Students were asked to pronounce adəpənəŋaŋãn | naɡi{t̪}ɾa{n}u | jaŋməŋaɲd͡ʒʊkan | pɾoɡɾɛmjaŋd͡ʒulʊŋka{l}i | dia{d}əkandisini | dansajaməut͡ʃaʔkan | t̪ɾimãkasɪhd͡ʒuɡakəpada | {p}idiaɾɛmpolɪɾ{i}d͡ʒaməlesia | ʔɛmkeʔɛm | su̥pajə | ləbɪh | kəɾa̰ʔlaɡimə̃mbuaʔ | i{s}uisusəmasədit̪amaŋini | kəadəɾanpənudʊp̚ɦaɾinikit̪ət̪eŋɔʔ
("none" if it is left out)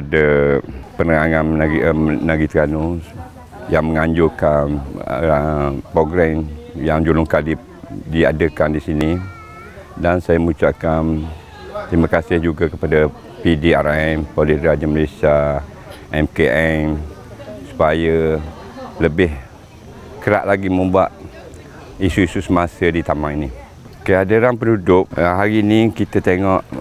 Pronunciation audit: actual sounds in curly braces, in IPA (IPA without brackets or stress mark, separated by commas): t̪, n, l, d, p, a, s